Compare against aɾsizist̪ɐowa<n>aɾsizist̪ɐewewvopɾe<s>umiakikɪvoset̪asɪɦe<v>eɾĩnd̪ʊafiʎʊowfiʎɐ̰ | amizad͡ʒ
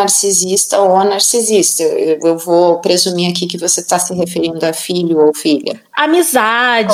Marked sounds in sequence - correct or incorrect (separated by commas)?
correct, incorrect, incorrect